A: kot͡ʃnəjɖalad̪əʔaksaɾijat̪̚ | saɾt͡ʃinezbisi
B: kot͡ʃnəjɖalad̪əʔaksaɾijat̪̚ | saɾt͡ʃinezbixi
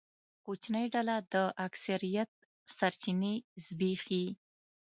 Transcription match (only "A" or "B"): B